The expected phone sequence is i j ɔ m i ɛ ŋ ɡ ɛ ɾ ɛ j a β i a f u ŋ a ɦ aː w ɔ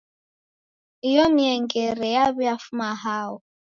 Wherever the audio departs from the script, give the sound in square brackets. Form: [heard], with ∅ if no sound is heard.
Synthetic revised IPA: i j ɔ m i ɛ ŋ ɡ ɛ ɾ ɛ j a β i a f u [m] a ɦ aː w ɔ